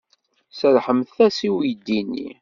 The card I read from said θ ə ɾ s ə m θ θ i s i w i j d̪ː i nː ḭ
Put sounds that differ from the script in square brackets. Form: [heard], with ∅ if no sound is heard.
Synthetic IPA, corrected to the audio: [s] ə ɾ [ħ] ə m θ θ [æ] s i w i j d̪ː i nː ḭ